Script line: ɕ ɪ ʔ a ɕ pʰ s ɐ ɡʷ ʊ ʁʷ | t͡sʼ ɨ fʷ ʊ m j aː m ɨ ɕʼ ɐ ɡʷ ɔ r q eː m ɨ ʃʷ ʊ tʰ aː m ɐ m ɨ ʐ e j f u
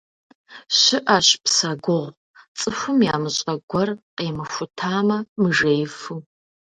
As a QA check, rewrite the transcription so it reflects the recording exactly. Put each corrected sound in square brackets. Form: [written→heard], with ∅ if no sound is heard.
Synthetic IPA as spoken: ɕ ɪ ʔ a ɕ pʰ s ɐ ɡʷ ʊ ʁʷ | t͡sʼ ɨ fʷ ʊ m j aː m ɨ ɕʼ ɐ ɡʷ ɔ r q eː m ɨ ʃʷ ʊ tʰ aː m ɐ m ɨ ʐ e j f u